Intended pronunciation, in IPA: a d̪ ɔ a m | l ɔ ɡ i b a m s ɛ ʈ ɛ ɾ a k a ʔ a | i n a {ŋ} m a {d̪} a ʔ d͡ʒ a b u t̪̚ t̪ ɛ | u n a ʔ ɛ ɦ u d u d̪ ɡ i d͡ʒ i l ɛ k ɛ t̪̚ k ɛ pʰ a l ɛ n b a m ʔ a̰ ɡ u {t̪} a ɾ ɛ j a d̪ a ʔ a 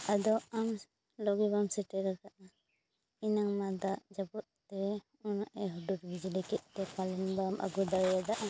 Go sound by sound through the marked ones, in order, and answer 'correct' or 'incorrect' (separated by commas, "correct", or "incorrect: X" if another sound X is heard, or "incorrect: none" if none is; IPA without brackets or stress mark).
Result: correct, correct, incorrect: d̪